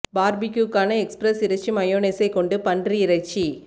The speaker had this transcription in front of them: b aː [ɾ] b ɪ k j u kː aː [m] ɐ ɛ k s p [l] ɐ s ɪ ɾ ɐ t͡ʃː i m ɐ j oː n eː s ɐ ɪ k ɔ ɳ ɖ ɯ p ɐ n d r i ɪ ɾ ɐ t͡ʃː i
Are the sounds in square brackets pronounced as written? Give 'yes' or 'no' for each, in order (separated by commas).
yes, no, no